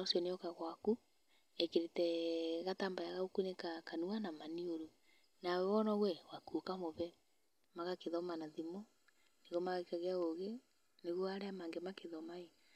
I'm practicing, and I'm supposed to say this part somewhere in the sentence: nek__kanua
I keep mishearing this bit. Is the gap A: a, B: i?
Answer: A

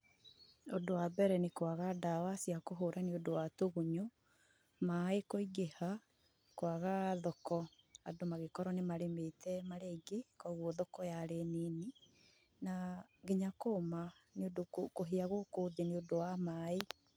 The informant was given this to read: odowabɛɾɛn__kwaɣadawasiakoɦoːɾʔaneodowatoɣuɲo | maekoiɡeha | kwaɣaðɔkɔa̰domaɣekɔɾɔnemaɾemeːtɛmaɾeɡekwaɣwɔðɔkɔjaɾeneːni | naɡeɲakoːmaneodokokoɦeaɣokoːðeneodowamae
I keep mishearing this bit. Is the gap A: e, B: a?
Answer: A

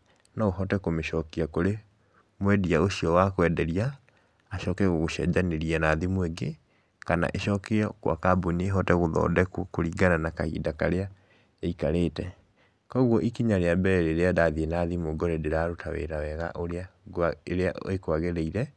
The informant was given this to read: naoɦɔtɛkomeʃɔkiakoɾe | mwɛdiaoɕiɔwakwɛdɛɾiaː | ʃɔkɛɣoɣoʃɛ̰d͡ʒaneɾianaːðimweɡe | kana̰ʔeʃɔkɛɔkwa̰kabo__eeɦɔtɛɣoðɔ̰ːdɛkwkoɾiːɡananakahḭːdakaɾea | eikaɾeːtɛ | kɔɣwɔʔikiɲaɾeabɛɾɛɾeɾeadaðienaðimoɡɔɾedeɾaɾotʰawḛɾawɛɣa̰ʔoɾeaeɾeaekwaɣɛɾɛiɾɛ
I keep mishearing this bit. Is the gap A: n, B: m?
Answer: A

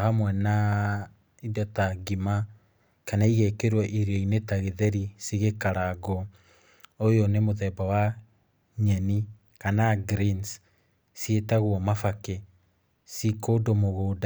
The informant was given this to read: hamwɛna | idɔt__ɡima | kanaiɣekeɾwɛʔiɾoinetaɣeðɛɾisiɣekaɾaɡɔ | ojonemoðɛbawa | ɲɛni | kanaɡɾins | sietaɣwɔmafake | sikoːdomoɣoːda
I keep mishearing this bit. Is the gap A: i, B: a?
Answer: B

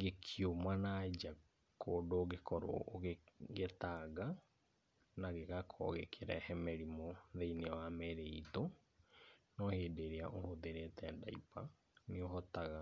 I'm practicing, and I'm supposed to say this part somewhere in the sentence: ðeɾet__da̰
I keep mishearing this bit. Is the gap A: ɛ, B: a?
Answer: A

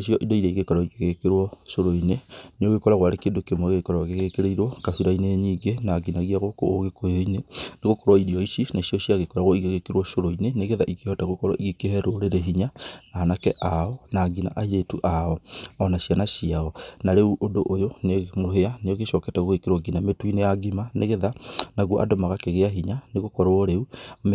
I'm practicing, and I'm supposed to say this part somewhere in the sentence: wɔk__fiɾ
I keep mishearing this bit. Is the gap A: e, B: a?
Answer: B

